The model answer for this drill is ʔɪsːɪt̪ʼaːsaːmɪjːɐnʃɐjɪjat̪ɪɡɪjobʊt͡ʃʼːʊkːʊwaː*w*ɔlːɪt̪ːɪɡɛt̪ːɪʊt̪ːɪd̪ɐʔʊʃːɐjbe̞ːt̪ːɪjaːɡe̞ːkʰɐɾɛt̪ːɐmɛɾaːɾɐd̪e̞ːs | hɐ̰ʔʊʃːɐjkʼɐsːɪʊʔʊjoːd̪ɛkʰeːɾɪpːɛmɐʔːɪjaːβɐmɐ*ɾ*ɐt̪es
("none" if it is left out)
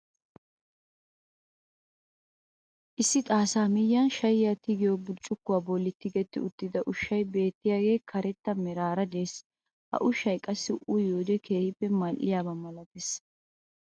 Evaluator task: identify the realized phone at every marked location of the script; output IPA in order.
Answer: b, l

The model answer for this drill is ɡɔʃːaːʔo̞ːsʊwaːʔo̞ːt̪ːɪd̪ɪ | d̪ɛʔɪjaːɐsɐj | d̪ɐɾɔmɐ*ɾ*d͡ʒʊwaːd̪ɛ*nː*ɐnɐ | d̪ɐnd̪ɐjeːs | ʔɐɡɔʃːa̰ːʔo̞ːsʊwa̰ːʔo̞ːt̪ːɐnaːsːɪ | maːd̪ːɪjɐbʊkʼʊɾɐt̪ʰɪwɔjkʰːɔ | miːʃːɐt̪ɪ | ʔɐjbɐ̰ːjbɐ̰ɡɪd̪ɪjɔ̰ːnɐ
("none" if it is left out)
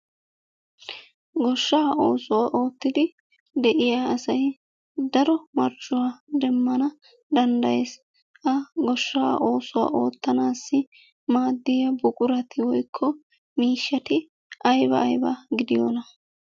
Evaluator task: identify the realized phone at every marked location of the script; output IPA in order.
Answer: ɾ, mː

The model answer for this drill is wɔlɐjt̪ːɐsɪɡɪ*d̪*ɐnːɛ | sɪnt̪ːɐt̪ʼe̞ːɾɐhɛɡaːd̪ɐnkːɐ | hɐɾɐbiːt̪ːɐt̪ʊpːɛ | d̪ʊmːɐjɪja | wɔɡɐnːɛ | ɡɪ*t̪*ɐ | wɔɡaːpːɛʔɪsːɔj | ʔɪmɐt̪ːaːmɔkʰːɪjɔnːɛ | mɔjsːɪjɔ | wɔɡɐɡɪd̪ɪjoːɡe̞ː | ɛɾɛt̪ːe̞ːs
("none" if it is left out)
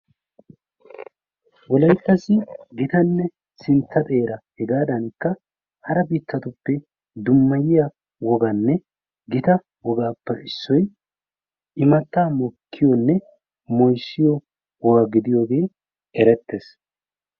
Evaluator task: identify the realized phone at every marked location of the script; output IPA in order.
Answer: t̪, t̪

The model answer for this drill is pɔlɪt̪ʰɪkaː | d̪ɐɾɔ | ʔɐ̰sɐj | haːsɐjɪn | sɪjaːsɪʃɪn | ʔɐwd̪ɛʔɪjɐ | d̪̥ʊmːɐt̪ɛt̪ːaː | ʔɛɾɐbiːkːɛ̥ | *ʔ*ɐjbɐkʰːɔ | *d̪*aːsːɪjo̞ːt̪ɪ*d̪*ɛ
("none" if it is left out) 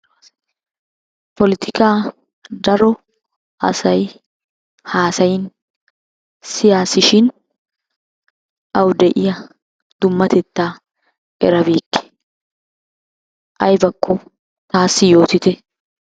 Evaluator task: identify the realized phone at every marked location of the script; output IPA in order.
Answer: ʔ, t̪, t̪

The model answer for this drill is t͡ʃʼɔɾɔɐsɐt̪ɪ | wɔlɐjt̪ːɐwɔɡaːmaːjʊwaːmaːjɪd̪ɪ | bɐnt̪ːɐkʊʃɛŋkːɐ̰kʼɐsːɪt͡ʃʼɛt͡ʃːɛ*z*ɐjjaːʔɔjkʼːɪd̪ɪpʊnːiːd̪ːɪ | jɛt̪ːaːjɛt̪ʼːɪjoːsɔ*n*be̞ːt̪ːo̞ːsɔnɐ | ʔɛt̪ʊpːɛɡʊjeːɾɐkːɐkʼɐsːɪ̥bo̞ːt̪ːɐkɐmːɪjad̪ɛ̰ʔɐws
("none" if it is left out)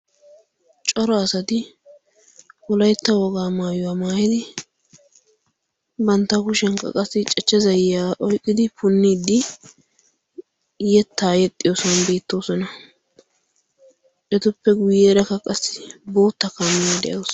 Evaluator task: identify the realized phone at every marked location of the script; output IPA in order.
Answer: z, n

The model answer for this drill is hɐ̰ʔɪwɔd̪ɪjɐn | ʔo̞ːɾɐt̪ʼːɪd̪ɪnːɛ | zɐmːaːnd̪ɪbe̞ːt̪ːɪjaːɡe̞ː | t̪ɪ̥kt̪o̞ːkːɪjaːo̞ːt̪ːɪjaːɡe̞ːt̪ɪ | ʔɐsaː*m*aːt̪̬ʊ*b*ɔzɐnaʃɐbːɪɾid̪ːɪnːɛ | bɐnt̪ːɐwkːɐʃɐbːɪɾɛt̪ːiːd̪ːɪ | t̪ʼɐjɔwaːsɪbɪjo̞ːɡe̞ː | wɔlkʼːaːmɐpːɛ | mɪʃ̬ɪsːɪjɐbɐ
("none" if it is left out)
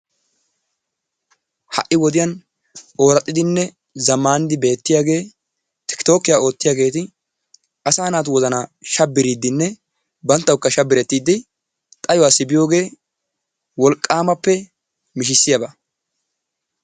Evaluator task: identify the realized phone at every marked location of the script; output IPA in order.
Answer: n, w

